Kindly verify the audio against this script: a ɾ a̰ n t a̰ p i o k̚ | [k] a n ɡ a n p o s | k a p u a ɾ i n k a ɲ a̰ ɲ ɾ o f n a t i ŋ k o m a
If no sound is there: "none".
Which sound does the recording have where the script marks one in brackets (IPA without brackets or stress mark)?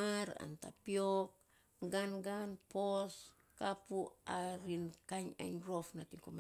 ɡ